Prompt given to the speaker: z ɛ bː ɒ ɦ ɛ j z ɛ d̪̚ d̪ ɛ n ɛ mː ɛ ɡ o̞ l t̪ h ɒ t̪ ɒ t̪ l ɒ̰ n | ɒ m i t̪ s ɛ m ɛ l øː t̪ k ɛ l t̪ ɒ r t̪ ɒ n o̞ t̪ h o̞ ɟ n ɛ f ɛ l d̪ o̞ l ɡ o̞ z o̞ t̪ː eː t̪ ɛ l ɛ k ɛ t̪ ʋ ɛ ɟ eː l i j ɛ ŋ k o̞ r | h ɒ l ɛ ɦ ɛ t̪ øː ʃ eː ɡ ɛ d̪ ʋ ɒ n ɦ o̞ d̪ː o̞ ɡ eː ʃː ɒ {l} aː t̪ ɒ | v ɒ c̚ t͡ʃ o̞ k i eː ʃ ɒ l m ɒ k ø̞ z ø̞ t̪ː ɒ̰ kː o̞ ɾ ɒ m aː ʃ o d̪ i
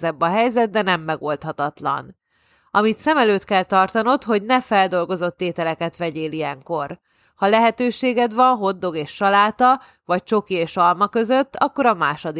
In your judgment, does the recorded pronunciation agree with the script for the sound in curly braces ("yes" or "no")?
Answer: yes